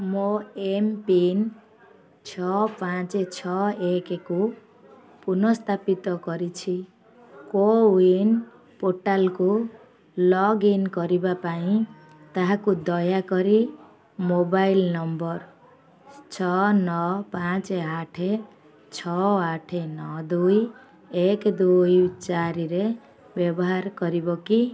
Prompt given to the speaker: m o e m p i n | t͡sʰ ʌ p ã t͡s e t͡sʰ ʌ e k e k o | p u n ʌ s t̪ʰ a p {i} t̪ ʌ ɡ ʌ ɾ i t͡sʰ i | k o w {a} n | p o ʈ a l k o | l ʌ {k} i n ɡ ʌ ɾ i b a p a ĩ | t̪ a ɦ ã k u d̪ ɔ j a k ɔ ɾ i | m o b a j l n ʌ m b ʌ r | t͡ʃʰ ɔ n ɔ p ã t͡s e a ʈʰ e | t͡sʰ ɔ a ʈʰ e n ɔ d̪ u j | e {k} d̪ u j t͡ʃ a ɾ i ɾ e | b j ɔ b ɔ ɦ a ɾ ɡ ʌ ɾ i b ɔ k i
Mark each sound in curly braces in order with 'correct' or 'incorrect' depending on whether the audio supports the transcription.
correct, incorrect, incorrect, correct

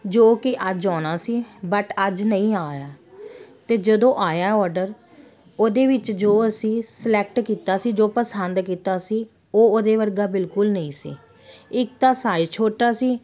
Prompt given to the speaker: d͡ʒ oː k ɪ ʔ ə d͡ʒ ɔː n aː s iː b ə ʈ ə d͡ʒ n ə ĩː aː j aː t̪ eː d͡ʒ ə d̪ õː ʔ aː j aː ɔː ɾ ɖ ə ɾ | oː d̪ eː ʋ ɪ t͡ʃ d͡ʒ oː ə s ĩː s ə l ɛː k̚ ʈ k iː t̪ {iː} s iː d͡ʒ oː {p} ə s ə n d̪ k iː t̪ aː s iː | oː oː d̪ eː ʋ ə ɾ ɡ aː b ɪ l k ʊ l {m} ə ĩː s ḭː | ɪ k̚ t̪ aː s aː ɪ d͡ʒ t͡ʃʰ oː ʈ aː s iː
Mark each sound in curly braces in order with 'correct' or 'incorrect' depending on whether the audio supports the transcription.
incorrect, correct, incorrect

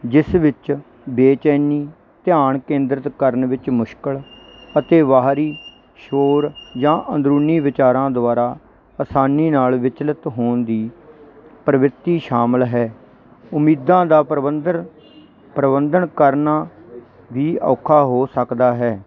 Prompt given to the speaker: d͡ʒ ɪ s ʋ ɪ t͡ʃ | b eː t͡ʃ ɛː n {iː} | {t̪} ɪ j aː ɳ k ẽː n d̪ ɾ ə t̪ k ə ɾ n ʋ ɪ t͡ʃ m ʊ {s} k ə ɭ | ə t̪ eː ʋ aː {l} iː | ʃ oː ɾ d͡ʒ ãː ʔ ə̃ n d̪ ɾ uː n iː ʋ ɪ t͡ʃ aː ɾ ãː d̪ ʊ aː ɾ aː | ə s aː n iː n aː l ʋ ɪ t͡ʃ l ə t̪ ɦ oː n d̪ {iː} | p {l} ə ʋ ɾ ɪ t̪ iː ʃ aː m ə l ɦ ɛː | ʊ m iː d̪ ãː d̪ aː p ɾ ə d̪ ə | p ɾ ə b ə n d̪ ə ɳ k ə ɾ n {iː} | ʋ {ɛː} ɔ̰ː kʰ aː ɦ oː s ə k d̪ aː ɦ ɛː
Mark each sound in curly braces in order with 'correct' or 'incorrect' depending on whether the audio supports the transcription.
correct, correct, incorrect, incorrect, correct, incorrect, incorrect, incorrect

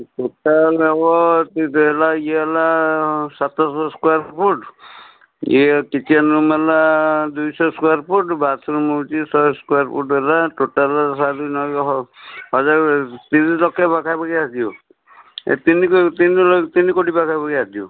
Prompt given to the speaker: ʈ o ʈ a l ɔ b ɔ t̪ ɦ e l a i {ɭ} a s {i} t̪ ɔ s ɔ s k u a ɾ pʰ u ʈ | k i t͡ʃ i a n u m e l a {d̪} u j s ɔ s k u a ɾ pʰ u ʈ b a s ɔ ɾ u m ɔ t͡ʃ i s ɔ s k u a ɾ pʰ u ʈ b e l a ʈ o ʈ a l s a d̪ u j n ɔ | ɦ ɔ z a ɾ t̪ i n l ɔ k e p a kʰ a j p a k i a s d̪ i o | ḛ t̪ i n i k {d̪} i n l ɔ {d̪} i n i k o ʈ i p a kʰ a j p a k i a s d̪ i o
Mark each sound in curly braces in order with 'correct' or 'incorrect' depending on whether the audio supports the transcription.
incorrect, incorrect, correct, incorrect, incorrect

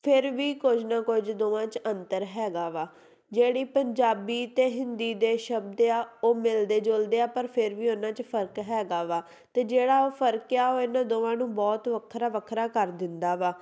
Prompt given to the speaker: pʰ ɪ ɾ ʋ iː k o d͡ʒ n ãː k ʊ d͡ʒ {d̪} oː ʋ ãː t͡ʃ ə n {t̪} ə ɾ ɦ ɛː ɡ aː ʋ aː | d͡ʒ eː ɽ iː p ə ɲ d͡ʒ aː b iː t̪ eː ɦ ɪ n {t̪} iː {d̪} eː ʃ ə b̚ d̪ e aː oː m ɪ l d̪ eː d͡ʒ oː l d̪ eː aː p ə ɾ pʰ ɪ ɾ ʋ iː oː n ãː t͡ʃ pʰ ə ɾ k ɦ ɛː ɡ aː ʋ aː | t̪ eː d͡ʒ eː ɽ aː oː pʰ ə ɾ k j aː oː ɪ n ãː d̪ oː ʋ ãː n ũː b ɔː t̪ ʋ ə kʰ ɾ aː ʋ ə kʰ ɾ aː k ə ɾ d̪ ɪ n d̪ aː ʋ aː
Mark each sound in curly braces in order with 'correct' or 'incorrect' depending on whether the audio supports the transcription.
correct, correct, incorrect, correct

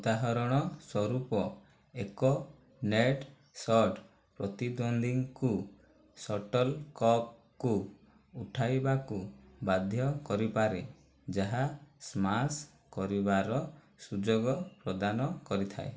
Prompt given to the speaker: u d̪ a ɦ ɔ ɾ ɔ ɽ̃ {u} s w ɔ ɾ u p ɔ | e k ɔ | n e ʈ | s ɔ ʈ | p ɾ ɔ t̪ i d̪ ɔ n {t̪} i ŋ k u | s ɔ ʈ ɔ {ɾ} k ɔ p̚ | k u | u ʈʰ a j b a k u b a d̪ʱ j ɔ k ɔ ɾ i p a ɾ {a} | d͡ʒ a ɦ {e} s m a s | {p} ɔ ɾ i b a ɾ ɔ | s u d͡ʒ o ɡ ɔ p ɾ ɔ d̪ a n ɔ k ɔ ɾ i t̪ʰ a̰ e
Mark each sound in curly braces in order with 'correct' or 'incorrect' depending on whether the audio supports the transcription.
incorrect, incorrect, incorrect, incorrect, incorrect, incorrect

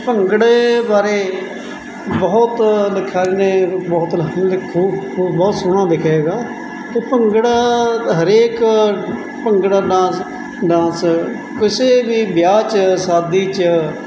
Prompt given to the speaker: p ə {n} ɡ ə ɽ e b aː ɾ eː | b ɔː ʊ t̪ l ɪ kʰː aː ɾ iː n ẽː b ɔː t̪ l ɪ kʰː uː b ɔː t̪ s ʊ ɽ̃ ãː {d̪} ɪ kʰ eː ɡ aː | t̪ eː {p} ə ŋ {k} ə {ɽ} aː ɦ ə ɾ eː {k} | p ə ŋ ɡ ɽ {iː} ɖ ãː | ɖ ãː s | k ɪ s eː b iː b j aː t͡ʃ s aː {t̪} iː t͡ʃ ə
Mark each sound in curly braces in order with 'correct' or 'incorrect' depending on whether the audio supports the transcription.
incorrect, correct, correct, incorrect, correct, correct, incorrect, incorrect

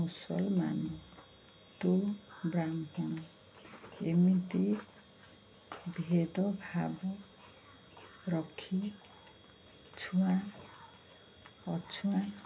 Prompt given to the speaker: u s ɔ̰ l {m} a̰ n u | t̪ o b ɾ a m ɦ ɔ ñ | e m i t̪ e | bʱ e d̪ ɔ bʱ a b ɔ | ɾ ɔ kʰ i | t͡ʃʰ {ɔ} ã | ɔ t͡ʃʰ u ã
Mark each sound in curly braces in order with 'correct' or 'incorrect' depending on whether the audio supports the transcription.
correct, incorrect

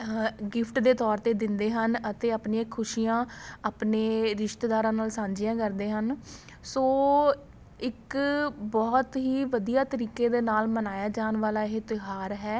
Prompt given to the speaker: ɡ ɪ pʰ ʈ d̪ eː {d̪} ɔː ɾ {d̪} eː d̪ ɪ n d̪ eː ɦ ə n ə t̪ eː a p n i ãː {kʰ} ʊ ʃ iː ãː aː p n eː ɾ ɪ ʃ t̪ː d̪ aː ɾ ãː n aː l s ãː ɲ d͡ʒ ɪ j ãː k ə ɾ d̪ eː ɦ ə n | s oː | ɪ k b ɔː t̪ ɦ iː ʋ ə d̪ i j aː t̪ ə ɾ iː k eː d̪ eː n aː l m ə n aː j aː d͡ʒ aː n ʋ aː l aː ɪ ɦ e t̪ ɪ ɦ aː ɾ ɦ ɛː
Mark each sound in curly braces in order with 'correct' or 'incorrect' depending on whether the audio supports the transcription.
incorrect, incorrect, correct

